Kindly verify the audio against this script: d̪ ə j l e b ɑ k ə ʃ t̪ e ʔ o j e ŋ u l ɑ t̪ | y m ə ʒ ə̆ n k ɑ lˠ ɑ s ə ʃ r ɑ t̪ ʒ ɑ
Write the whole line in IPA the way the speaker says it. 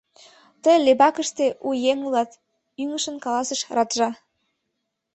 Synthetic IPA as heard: t̪ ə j l e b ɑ k ə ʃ t̪ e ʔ u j e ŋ u l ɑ t̪ | y ŋ ə ʃ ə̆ n k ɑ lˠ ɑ s ə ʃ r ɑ t̪ ʒ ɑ